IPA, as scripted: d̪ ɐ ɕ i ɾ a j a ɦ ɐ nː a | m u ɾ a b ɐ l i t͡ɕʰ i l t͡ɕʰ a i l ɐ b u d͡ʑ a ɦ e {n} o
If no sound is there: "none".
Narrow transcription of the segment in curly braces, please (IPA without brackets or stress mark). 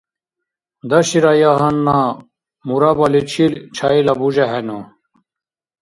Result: n